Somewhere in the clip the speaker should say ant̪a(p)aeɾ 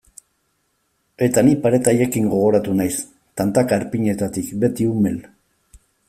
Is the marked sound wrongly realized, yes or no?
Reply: yes